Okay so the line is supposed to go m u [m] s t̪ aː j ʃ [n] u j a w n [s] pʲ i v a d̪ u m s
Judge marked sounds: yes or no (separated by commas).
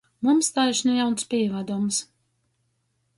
yes, yes, yes